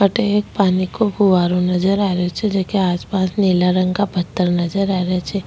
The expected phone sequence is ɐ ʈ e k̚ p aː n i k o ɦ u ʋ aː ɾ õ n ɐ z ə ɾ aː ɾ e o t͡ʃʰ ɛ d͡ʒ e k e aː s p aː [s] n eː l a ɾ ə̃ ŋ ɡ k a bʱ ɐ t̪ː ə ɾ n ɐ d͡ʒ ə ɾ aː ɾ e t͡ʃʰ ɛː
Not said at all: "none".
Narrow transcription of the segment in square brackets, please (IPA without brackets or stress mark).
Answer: s